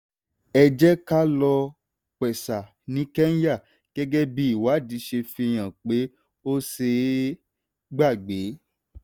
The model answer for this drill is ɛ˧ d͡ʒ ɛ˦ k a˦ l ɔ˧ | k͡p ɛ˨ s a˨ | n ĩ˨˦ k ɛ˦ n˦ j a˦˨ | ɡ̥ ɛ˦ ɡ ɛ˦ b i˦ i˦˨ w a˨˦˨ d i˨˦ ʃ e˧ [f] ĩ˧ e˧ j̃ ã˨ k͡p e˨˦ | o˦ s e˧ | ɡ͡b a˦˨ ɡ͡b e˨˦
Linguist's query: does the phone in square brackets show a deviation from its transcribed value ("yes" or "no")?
no